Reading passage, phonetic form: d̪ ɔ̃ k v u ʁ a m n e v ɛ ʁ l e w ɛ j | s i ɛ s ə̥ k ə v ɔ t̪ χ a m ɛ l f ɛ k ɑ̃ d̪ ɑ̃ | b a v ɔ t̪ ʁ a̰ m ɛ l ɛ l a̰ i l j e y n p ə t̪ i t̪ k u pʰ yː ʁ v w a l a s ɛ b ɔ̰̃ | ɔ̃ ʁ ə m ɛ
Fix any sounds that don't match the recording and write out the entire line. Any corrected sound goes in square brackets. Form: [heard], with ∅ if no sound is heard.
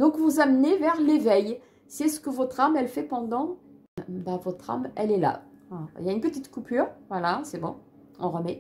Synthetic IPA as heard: d̪ ɔ̃ k v u [z] a m n e v ɛ ʁ l e [v] ɛ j | s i ɛ s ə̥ k ə v ɔ t̪ χ a m ɛ l f ɛ [p] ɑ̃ d̪ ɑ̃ | b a v ɔ t̪ [χ] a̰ m ɛ l ɛ l a̰ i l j [a] y n p ə t̪ i t̪ k u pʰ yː ʁ v w a l a s ɛ b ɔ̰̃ | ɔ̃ ʁ ə m ɛ

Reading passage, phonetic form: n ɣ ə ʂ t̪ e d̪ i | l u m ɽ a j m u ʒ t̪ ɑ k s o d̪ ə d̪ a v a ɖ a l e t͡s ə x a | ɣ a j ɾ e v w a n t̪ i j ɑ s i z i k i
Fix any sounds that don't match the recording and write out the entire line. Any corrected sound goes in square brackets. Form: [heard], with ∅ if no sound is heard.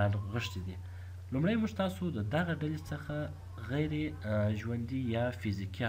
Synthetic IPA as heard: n ɣ ə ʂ t̪ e d̪ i | l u m ɽ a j m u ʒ t̪ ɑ [∅] s o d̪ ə d̪ a [ɣ] a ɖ a l e t͡s ə x a | ɣ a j ɾ e [ʒ] w a n [d̪] i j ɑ [f] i z i k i

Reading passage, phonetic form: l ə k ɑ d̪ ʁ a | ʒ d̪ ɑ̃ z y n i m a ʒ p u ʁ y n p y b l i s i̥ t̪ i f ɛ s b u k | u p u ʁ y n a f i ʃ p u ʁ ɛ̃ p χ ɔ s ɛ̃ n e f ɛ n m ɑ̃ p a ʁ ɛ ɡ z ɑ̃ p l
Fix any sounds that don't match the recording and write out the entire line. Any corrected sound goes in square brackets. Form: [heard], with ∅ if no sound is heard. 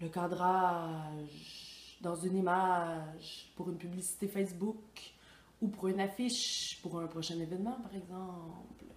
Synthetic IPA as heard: l ə k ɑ d̪ ʁ a | ʒ d̪ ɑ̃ z y n i m a ʒ p u ʁ y n p y b l i s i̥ t̪ [e] f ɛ s b u k | u p u ʁ y n a f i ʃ p u ʁ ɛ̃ p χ ɔ [ʃ] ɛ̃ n e [v] ɛ n m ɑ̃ p a ʁ ɛ ɡ z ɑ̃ p l

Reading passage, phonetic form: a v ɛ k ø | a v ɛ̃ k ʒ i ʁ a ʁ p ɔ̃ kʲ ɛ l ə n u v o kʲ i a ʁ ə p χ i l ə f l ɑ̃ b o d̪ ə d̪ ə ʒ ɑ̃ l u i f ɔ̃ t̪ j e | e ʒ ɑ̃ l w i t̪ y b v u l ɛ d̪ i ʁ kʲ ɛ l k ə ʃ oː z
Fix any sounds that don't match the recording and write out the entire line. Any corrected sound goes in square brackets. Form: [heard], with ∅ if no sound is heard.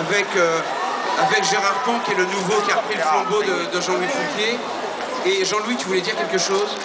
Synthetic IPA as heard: a v ɛ k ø | a v [ɛ] k ʒ [e] ʁ a ʁ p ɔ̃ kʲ ɛ l ə n u v o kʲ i a ʁ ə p χ i l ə f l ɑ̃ b o d̪ ə d̪ ə ʒ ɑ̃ l [w] i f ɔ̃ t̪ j e | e ʒ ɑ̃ l w i t̪ y [∅] v u l ɛ d̪ i ʁ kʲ ɛ l k ə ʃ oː z

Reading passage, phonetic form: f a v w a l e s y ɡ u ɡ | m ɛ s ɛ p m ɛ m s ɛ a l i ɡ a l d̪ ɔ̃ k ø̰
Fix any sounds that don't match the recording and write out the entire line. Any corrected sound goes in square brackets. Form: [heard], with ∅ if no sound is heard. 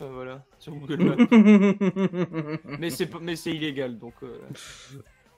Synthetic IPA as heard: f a v w a l [a] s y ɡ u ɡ | m ɛ s ɛ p m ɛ [∅] s ɛ [i] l [e] ɡ a l d̪ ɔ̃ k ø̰

